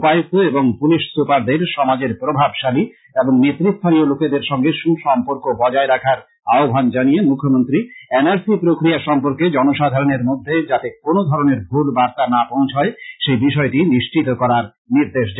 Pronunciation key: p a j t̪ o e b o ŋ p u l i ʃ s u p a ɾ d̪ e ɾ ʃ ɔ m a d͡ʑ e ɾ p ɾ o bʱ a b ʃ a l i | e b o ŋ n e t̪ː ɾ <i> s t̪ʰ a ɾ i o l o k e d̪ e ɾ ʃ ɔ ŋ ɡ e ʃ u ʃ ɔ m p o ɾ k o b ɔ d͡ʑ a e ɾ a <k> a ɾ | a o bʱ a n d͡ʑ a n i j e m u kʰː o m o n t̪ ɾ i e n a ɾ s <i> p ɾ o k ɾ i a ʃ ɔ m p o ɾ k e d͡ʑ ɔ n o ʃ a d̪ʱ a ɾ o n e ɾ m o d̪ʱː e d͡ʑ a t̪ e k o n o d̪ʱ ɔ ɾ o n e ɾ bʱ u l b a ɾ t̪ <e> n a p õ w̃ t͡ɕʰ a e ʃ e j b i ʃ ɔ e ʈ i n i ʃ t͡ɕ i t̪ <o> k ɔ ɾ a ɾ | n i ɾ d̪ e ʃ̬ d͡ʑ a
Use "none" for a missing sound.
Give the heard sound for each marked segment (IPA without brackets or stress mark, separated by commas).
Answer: i, kʰ, i, a, o